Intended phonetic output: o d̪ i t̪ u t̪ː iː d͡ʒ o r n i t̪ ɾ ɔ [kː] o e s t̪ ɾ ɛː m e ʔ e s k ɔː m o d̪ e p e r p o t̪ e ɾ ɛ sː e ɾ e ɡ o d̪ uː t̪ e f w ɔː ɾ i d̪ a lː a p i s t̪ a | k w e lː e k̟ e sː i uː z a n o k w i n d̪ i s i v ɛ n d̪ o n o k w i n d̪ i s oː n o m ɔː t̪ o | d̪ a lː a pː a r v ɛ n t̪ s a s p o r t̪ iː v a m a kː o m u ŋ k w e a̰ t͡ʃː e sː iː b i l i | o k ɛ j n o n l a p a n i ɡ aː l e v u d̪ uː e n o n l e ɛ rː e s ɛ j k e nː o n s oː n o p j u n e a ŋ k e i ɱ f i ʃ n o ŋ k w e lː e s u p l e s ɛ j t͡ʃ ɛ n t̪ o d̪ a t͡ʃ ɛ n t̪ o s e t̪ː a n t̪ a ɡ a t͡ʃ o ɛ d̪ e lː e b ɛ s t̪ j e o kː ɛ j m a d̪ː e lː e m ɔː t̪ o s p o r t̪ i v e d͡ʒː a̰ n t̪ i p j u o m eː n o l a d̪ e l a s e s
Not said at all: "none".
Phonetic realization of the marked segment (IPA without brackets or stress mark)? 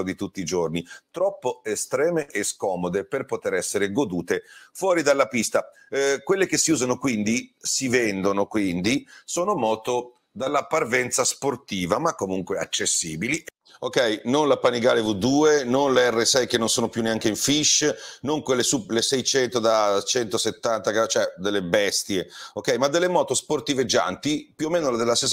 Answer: pː